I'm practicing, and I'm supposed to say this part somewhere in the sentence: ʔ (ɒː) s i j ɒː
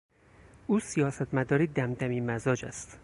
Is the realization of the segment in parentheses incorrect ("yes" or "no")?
yes